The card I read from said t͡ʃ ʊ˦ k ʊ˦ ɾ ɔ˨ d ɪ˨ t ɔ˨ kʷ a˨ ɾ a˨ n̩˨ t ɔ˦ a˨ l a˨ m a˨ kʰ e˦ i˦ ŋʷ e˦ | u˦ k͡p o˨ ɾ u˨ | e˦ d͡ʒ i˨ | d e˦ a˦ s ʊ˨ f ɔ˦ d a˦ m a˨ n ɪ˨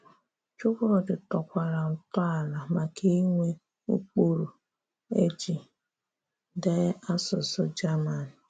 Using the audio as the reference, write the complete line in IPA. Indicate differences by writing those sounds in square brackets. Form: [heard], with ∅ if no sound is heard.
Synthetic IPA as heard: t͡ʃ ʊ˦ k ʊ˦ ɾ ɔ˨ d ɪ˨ t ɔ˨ kʷ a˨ ɾ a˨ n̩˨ t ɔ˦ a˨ l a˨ m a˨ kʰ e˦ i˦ ŋʷ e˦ | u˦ k͡p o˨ ɾ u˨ | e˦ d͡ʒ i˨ | d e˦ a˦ s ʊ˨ [s] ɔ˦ [d͡ʒ] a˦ m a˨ n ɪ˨